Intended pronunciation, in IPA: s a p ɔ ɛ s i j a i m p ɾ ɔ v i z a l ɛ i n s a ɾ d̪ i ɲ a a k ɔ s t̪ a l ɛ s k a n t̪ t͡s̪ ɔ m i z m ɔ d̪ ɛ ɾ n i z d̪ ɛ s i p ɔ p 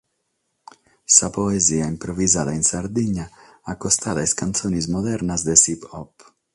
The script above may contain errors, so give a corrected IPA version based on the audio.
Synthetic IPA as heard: s a p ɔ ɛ z i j a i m p ɾ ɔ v i z a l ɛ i n s a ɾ d̪ i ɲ a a k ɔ s t̪ a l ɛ s k a n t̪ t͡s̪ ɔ n i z m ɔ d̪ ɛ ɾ n a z d̪ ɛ s i p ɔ p